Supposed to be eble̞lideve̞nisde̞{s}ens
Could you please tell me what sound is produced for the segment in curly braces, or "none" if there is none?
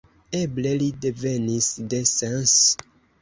s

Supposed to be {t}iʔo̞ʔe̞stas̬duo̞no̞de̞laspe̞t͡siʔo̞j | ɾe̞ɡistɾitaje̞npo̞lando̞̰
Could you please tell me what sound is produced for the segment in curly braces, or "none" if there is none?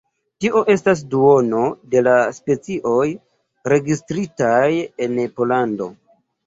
t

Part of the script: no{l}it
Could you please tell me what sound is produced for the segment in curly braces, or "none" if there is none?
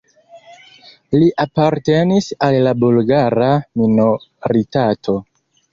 ɾ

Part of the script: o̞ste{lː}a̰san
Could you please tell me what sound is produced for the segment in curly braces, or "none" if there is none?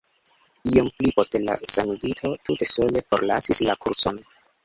l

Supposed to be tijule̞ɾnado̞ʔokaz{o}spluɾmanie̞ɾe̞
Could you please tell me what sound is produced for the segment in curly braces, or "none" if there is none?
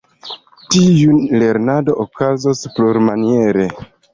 o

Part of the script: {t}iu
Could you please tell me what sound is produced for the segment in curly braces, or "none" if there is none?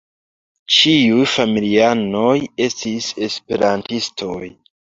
t͡ʃ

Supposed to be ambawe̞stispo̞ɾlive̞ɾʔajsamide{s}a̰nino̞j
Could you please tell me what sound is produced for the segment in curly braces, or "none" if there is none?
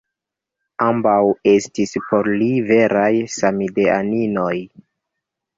none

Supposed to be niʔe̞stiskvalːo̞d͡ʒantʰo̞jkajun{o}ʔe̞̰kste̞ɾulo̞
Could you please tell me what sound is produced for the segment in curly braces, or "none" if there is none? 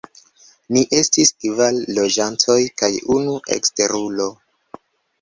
u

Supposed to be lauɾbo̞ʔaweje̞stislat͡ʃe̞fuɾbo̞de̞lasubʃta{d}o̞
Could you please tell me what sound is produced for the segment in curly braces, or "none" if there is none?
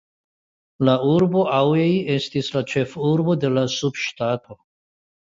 t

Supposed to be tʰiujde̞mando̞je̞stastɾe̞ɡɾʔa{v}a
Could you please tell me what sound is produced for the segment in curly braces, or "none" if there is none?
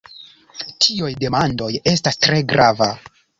v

